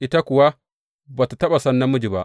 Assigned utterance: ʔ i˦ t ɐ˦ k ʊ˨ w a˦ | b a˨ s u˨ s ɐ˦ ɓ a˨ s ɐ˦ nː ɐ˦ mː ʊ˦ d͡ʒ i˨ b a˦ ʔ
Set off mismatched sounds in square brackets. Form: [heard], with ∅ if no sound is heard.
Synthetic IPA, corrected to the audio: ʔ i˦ t [a˦] k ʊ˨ w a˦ | b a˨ [t] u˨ [t] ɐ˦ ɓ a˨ s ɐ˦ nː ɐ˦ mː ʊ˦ d͡ʒ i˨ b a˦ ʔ

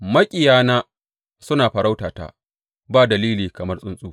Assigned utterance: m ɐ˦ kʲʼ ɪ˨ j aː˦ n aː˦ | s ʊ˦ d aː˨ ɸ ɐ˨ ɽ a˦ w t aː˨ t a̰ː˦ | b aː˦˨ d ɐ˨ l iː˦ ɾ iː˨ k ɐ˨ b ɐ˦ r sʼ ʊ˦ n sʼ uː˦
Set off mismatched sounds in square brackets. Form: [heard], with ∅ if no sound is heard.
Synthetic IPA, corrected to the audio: m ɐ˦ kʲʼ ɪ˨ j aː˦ n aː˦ | s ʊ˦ [n] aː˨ ɸ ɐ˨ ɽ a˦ w t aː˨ t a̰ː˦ | b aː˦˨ d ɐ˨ l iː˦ [l] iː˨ k ɐ˨ [m] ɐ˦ r sʼ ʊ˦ n sʼ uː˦

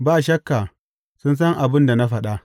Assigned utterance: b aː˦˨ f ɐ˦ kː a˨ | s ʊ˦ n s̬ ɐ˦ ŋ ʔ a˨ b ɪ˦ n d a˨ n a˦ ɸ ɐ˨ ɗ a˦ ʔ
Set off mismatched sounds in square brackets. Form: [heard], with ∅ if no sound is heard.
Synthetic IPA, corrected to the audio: b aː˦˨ [ʃ] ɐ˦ kː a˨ | s ʊ˦ n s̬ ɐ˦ ŋ ʔ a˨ b ɪ˦ n d a˨ n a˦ ɸ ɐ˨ ɗ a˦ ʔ

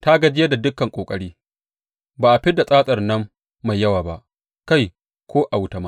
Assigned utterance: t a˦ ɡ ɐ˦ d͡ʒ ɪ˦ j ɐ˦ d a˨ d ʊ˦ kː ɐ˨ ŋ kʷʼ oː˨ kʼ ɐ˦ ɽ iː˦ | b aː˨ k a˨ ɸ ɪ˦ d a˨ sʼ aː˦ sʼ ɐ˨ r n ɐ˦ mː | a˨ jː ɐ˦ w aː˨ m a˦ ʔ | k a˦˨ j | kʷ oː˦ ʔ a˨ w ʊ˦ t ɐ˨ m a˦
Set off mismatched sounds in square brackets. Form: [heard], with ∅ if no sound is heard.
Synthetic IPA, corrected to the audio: t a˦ ɡ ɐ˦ d͡ʒ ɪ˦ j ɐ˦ d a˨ d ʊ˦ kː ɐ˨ ŋ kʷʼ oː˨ kʼ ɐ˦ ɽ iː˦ | b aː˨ [ʔ] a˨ ɸ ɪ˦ d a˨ sʼ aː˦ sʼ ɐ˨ r n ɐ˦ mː | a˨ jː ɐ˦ w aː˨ [b] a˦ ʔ | k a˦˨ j | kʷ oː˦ ʔ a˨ w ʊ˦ t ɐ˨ m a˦

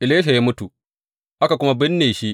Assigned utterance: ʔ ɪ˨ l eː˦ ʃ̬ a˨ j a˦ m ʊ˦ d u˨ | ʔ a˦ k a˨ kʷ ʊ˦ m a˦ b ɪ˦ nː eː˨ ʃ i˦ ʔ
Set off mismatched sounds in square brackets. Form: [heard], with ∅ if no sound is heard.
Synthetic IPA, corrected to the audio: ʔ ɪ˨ l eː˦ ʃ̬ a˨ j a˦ m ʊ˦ [t] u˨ | ʔ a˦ k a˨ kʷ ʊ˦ m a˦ b ɪ˦ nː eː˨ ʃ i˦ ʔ

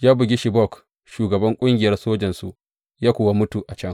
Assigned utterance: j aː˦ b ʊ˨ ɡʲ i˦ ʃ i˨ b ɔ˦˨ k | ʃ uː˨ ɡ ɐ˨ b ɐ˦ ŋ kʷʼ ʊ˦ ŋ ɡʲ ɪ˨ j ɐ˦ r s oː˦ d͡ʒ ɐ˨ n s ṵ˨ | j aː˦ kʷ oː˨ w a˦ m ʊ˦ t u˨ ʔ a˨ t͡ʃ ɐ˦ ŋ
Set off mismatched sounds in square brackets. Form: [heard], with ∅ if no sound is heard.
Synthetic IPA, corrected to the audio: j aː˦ b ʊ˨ ɡʲ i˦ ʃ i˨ b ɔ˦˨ k | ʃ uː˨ ɡ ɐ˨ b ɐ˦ ŋ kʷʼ ʊ˦ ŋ ɡʲ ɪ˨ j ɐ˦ r s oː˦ d͡ʒ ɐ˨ n s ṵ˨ | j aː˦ kʷ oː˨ w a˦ m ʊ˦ t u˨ ʔ a˨ t͡ʃ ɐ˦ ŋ

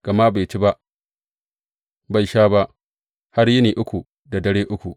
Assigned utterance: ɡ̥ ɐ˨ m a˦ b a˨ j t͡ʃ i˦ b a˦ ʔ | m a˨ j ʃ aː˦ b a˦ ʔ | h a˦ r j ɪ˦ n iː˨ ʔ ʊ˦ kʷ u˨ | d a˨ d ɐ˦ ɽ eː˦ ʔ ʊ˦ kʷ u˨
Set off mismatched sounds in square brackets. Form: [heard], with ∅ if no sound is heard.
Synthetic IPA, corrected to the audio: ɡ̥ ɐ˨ m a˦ b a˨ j t͡ʃ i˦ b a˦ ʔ | [b] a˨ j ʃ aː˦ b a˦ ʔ | h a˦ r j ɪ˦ n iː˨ ʔ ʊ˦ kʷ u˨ | d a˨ d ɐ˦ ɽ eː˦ ʔ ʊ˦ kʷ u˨

